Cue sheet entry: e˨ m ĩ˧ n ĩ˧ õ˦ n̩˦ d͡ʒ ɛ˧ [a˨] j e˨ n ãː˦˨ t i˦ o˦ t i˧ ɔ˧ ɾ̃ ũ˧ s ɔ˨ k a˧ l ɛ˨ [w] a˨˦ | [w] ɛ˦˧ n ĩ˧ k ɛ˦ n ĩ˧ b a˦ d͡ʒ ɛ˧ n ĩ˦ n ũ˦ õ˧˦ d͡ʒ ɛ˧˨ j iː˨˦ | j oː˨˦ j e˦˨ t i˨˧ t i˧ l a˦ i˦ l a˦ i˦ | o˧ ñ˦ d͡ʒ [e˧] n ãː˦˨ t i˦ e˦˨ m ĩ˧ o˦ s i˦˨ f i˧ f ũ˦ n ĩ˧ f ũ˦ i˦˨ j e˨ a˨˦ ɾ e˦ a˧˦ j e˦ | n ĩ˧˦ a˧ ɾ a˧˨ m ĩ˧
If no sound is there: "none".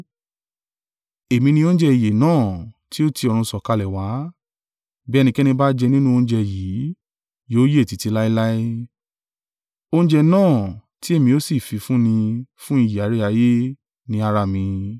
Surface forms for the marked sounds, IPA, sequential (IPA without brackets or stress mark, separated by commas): i˨, w, b, ɛ˧